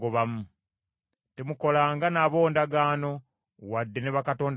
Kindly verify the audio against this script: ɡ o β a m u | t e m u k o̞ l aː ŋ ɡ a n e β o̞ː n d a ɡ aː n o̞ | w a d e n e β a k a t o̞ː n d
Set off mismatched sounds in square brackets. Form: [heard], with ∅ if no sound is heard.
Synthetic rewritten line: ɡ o β a m u | t e m u k o̞ l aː ŋ ɡ a n [a] β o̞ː n d a ɡ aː n o̞ | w a [dː] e n e β a k a t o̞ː n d